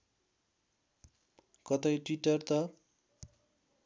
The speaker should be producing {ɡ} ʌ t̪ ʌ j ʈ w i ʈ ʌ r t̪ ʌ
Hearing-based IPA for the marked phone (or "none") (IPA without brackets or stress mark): k